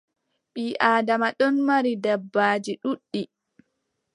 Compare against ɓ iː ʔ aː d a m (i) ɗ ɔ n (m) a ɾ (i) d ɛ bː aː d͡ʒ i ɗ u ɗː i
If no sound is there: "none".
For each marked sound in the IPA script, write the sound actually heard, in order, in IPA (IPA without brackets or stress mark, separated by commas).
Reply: a, m, i